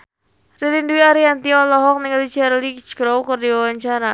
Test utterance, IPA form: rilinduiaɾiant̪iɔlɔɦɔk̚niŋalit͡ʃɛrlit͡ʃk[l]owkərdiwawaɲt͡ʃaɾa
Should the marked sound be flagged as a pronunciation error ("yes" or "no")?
yes